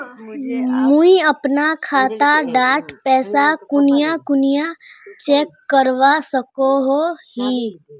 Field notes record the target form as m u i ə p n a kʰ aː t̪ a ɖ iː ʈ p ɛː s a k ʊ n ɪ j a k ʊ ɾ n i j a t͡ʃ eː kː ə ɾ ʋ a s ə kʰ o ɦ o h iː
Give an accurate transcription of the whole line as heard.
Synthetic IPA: m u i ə p n a kʰ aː t̪ a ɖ aː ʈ p ɛː s a k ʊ n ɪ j a k ʊ n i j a t͡ʃ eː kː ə ɾ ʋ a s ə k o ɦ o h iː